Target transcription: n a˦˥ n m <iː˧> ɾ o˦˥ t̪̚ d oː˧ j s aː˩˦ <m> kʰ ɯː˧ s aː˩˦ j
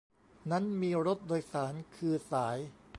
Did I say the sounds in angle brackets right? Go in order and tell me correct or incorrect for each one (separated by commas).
correct, incorrect